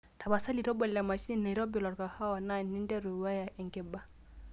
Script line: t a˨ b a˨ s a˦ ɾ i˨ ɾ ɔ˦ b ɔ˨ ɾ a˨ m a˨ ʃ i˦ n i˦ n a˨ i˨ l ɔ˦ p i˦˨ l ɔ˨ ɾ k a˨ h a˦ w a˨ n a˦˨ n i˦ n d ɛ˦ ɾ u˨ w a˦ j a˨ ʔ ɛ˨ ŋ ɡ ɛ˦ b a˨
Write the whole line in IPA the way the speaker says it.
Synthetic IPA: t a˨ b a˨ s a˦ l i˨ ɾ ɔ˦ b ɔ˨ l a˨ m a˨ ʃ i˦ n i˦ n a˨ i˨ ɾ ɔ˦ b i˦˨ l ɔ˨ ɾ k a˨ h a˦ w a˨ n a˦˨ n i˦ n d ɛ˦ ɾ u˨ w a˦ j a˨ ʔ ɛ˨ ŋ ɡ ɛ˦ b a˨